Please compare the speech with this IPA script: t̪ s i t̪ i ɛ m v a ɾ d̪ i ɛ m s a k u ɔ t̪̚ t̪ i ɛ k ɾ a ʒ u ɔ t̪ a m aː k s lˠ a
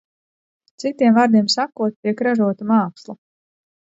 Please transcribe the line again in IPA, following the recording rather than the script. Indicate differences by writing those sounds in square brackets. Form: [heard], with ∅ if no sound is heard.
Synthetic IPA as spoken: t̪ s i t̪ i ɛ m v a ɾ d̪ i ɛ m s a k u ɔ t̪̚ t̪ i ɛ k ɾ a ʒ u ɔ t̪ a m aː k s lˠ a